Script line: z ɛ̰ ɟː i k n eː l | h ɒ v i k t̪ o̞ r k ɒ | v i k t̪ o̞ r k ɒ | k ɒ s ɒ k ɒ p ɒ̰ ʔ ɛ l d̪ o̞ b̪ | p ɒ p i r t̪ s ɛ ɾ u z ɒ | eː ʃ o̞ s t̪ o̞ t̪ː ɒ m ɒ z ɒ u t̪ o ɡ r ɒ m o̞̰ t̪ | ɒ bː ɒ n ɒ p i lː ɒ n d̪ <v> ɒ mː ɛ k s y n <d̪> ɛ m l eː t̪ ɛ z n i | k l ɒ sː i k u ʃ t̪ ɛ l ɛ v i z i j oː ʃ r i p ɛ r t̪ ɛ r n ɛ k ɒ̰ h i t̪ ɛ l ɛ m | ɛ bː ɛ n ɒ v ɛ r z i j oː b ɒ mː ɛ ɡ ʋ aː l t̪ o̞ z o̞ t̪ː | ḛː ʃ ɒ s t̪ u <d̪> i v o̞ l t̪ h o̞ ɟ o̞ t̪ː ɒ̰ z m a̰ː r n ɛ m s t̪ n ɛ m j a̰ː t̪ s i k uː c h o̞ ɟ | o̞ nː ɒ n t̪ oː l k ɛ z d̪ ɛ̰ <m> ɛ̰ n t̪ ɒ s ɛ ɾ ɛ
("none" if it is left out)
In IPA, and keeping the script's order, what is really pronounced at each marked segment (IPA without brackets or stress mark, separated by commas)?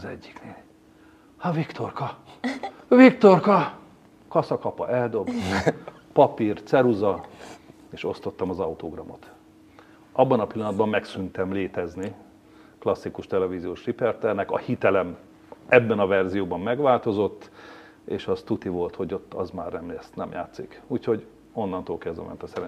b, t̪, t̪, m